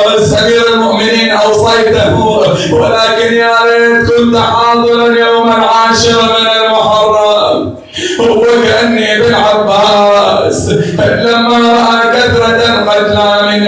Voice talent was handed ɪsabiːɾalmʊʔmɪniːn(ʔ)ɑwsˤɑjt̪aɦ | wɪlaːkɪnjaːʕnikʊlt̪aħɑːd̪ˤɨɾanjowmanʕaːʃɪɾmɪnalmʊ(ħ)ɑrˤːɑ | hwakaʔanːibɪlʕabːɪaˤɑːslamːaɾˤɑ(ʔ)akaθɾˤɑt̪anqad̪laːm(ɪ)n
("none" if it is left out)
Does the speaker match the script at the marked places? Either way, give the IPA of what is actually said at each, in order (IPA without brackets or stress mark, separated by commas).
ʔ, ħ, ʔ, ɪ